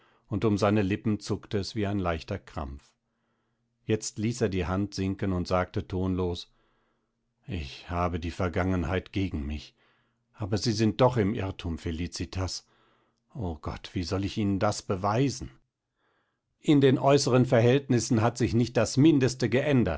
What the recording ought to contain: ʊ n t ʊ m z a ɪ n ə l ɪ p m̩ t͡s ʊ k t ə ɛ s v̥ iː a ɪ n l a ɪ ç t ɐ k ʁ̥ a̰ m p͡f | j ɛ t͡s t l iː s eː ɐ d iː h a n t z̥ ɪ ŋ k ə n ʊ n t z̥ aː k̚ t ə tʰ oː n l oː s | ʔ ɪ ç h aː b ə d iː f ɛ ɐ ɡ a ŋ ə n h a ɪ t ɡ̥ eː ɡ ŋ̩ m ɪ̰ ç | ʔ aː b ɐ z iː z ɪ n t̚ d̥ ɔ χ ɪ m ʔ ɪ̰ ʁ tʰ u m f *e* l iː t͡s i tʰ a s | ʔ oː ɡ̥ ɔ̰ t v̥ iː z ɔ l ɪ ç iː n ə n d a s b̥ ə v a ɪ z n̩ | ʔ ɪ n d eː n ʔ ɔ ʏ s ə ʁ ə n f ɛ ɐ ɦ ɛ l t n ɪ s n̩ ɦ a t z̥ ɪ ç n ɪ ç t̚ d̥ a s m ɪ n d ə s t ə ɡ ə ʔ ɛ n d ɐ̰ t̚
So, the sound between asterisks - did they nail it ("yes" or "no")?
yes